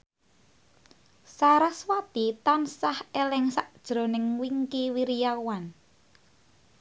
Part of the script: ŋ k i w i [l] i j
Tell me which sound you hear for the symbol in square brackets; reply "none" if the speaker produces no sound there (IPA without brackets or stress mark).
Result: ɾ